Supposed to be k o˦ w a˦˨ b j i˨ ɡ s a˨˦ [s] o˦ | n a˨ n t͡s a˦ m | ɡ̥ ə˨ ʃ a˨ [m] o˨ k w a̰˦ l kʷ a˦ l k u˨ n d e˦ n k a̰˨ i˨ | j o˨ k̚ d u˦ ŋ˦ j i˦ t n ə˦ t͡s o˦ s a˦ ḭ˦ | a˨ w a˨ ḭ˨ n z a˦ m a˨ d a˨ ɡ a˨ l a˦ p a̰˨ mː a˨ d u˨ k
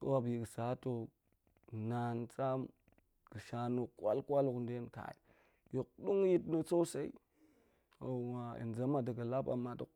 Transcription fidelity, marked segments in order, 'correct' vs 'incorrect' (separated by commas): incorrect, incorrect